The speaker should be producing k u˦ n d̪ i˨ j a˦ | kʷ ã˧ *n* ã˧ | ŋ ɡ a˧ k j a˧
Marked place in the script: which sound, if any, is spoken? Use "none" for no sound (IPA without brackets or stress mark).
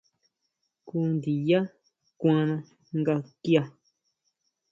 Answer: n